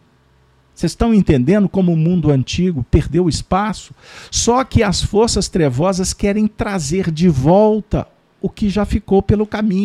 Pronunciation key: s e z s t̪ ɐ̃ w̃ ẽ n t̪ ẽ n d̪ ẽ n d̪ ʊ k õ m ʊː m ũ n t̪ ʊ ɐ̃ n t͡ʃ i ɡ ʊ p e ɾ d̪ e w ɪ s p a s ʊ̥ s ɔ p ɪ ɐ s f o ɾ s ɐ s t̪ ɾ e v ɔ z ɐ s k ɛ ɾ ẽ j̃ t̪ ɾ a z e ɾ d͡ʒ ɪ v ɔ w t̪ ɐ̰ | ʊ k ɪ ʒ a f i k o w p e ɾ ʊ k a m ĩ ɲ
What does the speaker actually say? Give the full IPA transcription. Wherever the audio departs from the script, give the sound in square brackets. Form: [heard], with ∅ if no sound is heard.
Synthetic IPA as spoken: s e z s t̪ ɐ̃ w̃ ẽ n t̪ ẽ n d̪ ẽ n d̪ ʊ k õ m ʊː m ũ n [d̪] ʊ ɐ̃ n t͡ʃ i ɡ ʊ p e ɾ d̪ e w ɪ s p a s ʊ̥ s ɔ [k] ɪ ɐ s f o ɾ s ɐ s t̪ ɾ e v ɔ z ɐ s k ɛ ɾ ẽ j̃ t̪ ɾ a z e ɾ d͡ʒ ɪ v ɔ w t̪ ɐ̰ | ʊ k ɪ ʒ a f i k o w p e [l] ʊ k a m ĩ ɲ